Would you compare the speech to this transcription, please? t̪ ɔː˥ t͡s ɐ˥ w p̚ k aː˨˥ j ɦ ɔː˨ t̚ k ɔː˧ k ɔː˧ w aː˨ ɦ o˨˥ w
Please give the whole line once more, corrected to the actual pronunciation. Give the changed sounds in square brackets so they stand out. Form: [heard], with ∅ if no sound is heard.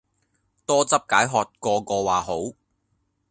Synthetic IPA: t̪ ɔː˥ t͡s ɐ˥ [∅] p̚ k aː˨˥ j ɦ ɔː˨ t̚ k ɔː˧ k ɔː˧ w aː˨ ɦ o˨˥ w